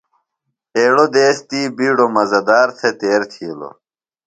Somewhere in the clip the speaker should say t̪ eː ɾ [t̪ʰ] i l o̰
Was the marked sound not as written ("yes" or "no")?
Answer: no